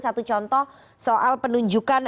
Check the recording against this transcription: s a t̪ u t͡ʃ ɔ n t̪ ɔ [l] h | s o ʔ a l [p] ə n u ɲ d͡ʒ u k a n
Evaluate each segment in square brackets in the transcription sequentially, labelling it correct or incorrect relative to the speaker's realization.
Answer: incorrect: none, correct

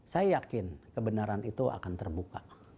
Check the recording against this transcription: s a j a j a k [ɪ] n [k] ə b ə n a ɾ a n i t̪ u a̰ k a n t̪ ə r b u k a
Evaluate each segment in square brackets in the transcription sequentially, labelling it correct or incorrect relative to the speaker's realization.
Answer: correct, correct

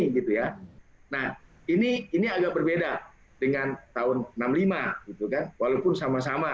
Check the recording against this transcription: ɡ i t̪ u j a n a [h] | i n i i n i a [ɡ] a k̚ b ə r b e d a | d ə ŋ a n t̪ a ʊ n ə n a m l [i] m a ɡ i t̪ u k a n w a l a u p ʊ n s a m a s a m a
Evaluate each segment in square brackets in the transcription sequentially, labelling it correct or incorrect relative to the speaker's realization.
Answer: correct, correct, correct

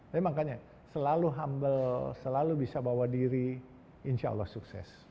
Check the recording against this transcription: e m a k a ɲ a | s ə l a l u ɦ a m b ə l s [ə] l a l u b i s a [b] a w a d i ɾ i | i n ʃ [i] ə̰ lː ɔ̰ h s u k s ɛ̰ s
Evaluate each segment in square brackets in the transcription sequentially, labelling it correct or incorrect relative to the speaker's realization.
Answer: correct, correct, incorrect: a

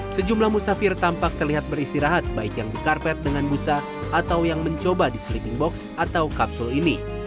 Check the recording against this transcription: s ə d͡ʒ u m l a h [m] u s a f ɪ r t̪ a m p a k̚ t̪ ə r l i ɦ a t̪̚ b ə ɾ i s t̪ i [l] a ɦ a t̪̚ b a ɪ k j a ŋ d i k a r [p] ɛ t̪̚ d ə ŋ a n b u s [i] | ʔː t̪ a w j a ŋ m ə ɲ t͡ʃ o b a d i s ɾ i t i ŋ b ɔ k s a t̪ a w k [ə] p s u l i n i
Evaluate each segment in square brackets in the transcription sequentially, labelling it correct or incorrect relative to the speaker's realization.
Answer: correct, incorrect: ɾ, correct, incorrect: a, incorrect: a

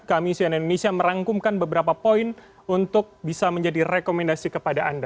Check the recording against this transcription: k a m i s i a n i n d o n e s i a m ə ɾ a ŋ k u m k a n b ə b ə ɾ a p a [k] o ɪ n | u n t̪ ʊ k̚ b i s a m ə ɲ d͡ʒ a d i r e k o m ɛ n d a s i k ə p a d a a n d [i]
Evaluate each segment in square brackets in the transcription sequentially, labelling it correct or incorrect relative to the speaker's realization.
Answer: incorrect: p, incorrect: a

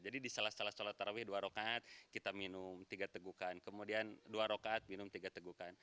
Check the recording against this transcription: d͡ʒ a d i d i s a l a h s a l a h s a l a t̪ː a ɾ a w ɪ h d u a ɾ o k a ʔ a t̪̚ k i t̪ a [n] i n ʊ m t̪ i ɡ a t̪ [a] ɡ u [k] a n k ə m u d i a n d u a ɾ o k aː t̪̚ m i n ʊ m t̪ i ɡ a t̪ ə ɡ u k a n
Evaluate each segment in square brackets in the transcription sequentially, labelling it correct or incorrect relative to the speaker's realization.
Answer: incorrect: m, incorrect: ə, correct

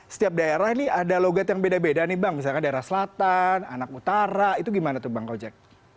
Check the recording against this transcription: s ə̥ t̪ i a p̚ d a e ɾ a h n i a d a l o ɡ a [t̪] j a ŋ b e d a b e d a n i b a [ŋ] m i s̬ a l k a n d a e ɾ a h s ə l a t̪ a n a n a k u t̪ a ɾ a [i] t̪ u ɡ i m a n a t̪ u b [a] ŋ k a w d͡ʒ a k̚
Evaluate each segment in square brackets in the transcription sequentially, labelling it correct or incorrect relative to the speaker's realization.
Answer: correct, correct, correct, correct

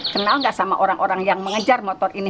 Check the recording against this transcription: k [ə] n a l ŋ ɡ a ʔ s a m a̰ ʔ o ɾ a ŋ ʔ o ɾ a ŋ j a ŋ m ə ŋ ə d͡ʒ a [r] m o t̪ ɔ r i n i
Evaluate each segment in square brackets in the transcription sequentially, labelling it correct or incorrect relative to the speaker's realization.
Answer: correct, correct

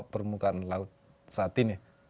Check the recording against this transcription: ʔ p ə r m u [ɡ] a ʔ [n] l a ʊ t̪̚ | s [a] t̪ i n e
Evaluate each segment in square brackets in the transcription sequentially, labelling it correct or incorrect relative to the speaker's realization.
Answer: incorrect: k, correct, correct

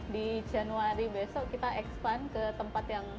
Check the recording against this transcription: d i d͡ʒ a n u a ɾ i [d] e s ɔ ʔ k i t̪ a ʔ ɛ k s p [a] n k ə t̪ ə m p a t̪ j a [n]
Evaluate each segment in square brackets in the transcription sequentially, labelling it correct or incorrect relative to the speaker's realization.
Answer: incorrect: b, correct, incorrect: ŋ

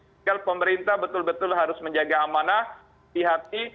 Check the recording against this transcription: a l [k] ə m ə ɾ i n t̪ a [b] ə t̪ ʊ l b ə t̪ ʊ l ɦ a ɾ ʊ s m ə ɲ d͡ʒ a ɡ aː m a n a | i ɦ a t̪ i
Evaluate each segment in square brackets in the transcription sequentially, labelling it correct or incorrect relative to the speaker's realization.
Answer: incorrect: p, correct

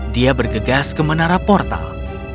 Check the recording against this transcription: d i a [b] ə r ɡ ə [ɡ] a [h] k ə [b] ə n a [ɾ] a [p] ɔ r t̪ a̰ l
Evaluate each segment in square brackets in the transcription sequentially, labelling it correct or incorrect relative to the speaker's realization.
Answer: correct, correct, incorrect: s, incorrect: m, correct, correct

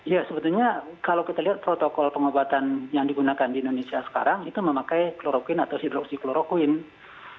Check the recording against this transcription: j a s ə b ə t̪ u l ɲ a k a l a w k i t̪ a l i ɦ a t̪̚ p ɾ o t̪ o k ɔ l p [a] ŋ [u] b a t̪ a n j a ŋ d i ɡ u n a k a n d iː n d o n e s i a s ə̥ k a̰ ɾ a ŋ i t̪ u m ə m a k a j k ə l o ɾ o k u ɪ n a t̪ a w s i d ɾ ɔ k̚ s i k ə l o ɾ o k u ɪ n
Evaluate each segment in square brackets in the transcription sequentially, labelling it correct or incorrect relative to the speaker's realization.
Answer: incorrect: ə, incorrect: o

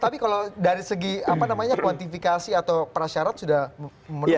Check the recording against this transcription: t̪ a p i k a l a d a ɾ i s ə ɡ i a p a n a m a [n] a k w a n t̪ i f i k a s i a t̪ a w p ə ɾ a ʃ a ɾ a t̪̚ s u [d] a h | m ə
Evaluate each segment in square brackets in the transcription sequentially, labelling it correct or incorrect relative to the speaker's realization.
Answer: incorrect: ɲ, correct

